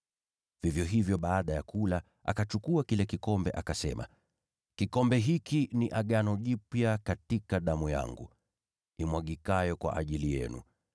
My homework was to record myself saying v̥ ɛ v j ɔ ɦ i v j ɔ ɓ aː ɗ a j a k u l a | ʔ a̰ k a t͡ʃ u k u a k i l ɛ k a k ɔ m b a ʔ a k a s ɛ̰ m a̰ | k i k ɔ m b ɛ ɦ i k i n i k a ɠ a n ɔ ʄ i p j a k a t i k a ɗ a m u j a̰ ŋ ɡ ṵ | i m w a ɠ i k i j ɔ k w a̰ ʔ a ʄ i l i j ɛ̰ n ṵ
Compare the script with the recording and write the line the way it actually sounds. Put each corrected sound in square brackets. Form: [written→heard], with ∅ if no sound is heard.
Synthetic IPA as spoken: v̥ [ɛ→i] v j ɔ ɦ i v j ɔ ɓ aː ɗ a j a k u l a | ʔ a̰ k a t͡ʃ u k u a k i l ɛ k [a→i] k ɔ m b [a→ɛ] ʔ a k a s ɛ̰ m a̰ | k i k ɔ m b ɛ ɦ i k i n i [k→ʔ] a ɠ a n ɔ ʄ i p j a k a t i k a ɗ a m u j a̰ ŋ ɡ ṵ | i m w a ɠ i k [i→a] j ɔ k w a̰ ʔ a ʄ i l i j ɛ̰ n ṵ